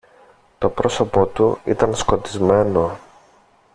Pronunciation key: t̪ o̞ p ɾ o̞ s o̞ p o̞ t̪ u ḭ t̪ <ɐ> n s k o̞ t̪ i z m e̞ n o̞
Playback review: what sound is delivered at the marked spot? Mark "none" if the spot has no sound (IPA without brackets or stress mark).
ɐ